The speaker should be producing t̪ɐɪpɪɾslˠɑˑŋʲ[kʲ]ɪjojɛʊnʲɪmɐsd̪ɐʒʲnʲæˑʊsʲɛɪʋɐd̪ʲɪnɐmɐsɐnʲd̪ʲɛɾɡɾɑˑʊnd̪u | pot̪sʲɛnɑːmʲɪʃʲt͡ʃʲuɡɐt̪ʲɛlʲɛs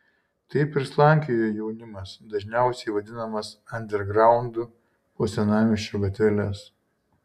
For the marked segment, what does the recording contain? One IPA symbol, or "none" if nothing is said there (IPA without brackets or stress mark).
kʲ